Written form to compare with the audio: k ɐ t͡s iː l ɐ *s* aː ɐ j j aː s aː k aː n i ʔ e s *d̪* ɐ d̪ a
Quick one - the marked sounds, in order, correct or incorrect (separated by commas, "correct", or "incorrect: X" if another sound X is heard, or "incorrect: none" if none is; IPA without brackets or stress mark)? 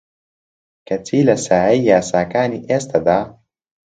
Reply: correct, incorrect: t̪